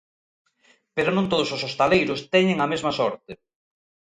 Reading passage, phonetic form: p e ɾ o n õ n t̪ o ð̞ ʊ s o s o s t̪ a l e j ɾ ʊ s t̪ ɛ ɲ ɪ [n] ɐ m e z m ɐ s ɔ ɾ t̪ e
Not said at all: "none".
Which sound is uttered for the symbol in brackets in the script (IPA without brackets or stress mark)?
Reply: ŋ